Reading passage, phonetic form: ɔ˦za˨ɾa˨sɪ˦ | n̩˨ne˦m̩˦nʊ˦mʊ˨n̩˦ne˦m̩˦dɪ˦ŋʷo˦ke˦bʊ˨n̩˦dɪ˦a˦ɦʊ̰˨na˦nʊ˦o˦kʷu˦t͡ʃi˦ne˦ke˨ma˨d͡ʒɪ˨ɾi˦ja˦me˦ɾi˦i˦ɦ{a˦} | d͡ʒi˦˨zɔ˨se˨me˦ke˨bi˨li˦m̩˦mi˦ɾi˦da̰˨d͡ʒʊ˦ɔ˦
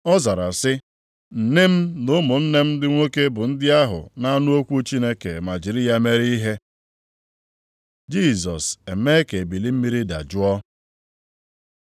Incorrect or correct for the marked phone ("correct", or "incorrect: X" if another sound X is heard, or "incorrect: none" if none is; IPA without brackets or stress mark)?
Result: incorrect: e˦